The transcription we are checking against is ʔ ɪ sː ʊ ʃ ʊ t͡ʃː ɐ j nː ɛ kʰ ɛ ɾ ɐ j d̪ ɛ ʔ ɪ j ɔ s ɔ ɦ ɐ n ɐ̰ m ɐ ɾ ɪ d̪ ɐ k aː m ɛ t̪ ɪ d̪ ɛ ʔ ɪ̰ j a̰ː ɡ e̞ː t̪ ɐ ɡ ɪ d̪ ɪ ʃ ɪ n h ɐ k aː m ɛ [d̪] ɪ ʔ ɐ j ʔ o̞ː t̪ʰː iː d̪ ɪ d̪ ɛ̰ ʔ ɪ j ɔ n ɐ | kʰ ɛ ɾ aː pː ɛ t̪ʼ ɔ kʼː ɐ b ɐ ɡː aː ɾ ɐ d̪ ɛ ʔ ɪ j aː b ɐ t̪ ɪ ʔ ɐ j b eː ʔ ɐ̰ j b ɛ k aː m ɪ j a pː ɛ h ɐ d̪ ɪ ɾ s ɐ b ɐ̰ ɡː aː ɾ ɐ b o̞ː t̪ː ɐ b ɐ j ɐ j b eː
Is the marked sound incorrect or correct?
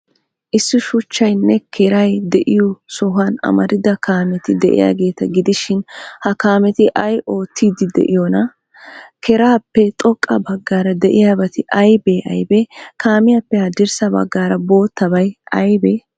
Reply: incorrect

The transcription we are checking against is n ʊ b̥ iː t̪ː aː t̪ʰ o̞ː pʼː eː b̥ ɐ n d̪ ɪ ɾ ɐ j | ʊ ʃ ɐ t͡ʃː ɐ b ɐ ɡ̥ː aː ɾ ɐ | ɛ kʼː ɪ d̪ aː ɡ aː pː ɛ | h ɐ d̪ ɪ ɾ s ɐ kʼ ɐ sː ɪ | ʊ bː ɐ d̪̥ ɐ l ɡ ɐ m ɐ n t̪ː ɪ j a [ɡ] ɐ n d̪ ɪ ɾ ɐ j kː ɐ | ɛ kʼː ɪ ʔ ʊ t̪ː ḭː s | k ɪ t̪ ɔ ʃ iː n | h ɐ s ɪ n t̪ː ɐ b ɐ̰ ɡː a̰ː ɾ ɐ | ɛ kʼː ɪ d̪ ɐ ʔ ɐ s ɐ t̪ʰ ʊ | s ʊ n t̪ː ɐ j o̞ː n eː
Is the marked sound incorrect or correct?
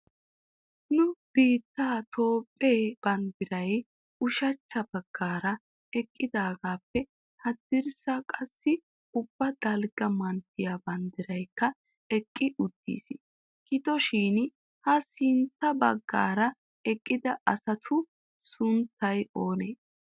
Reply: incorrect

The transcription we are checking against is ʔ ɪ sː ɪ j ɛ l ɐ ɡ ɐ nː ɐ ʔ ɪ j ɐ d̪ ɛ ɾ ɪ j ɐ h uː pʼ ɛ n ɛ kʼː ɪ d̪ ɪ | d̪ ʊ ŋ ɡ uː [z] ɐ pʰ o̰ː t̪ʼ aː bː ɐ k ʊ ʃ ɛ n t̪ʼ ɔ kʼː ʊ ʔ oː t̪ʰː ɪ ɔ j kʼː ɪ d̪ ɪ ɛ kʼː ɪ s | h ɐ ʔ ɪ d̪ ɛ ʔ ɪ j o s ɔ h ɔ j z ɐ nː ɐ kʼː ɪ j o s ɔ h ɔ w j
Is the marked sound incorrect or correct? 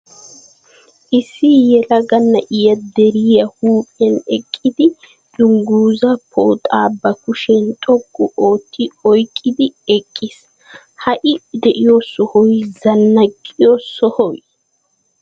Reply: correct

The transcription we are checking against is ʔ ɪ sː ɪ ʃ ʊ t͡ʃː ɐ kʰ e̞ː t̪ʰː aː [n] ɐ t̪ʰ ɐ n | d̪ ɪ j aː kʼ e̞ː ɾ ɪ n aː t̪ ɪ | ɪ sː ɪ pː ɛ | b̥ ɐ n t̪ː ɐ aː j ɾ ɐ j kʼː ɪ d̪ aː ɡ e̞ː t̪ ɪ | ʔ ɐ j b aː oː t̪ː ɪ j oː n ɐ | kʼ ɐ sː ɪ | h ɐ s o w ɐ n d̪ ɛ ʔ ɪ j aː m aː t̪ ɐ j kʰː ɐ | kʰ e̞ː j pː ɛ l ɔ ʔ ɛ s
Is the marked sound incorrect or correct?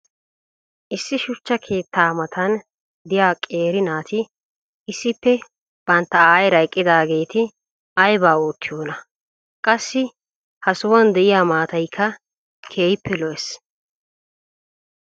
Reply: incorrect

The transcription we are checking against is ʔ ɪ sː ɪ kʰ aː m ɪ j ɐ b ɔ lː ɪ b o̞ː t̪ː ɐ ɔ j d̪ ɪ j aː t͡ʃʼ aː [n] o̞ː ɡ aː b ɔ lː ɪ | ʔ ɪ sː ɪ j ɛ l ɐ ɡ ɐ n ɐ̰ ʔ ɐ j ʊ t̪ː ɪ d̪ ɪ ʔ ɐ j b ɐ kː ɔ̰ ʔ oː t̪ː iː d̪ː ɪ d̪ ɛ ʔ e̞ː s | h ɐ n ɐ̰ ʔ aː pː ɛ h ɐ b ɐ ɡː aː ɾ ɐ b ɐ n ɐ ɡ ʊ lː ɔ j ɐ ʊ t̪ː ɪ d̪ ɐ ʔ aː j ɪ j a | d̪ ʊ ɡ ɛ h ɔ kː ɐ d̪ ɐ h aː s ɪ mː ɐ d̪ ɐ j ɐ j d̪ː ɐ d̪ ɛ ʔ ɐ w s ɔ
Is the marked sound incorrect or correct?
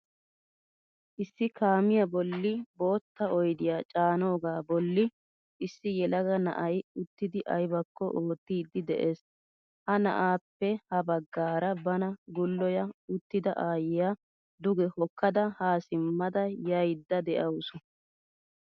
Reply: correct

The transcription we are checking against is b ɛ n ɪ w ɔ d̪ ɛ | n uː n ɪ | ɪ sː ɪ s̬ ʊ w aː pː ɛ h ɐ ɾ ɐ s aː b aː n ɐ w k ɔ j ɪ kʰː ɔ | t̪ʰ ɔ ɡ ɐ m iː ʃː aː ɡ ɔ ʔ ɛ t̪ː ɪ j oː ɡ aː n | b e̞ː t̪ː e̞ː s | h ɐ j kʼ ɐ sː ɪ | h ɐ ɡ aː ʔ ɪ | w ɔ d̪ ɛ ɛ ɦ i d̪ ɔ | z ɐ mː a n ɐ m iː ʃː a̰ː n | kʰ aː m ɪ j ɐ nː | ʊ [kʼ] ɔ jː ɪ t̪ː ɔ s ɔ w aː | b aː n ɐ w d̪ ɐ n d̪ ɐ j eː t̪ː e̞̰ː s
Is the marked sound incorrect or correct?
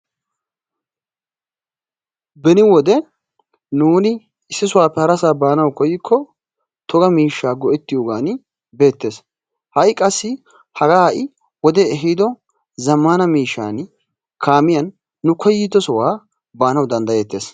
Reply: incorrect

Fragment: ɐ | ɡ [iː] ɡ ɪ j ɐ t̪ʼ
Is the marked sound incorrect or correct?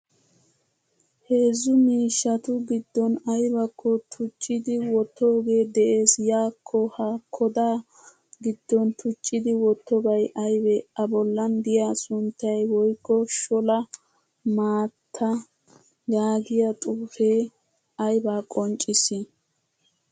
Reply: incorrect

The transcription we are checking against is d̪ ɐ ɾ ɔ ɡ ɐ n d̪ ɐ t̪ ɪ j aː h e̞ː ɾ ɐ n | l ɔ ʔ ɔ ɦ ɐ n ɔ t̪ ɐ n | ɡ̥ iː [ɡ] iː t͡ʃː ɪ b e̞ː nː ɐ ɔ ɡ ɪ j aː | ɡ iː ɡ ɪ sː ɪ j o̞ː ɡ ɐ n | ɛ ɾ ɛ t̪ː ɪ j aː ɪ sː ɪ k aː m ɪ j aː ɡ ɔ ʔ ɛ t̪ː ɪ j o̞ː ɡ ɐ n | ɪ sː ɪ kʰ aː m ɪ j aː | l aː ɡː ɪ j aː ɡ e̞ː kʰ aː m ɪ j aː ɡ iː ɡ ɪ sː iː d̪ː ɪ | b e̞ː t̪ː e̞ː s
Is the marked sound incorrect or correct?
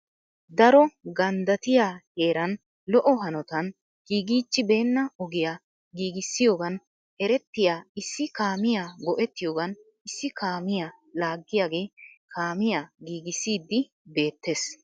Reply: correct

